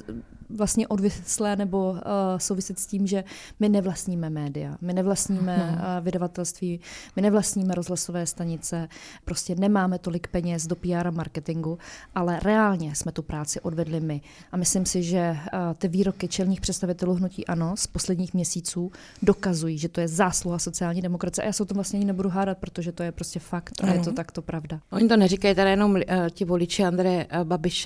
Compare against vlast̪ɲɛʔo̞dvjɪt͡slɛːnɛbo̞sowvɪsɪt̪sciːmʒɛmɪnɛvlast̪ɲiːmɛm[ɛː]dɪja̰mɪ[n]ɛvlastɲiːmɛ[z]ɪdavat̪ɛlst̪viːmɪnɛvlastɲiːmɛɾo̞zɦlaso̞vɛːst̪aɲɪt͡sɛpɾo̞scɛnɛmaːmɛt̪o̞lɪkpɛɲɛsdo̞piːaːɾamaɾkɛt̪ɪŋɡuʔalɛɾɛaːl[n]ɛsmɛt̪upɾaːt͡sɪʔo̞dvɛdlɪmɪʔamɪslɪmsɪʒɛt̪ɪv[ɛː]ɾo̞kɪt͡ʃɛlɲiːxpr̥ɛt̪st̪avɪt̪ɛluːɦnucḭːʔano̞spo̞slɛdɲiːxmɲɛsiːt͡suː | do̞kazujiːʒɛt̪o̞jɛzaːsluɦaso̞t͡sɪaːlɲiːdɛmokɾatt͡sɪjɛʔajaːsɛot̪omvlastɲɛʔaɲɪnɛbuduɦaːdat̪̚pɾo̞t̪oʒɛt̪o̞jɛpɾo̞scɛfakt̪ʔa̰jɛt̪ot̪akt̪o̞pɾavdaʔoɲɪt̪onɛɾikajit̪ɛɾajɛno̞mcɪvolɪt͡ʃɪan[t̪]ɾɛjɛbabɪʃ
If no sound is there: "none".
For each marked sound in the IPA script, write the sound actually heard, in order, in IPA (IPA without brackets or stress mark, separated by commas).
ɛː, n, v, ɲ, iː, d̪